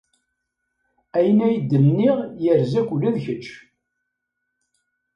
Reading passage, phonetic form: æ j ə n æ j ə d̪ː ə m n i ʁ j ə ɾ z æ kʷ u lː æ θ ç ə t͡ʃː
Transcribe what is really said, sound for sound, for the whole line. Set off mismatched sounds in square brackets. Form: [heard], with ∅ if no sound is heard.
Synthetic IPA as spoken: æ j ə n æ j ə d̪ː ə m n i ʁ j ə ɾ z æ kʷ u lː æ [ð] ç ə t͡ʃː